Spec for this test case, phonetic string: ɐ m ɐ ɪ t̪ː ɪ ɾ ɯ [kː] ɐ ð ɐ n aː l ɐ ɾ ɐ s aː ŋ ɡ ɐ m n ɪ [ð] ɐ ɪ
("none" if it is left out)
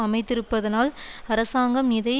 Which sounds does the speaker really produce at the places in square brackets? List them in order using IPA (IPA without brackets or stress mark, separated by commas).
pː, ð